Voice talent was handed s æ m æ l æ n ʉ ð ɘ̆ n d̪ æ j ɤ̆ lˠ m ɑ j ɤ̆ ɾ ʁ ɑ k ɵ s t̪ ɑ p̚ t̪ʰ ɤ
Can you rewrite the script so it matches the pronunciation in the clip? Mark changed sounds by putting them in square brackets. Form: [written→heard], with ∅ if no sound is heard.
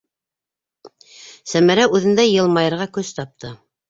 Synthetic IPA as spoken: s æ m æ [l→ɾ] æ [n→∅] ʉ ð ɘ̆ n d̪ æ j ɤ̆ lˠ m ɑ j ɤ̆ ɾ ʁ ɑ k ɵ s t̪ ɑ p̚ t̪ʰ ɤ